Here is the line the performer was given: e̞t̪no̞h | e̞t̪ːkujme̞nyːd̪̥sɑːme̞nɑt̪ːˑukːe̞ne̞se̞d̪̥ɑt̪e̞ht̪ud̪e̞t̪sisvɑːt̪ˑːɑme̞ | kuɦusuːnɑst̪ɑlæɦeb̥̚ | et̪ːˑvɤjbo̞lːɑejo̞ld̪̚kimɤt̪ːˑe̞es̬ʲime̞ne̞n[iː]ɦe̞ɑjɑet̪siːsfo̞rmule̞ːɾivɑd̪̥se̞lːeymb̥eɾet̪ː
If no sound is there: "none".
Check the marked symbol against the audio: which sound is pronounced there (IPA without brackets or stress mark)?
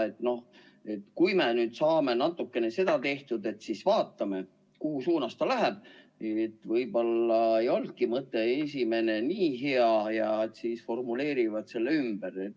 iː